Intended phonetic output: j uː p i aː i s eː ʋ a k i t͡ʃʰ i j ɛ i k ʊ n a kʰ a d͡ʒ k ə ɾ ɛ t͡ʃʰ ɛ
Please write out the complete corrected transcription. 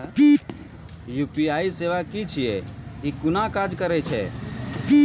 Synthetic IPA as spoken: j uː p i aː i s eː ʋ a k i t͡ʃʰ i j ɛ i k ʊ n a k a d͡ʒ k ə ɾ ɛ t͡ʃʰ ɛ